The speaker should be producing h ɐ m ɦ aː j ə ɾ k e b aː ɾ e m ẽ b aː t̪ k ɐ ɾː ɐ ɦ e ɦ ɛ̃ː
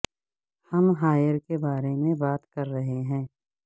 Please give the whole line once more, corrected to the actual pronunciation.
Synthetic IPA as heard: h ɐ m ɦ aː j ə ɾ k e b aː ɾ e m ẽ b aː t̪ k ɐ ɾː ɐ ɦ e ɦ ɛ̃ː